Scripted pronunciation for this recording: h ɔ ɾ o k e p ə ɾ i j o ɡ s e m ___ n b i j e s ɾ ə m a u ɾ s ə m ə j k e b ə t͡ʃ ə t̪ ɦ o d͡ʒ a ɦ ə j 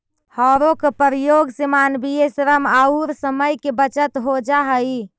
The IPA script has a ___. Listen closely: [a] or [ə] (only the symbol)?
a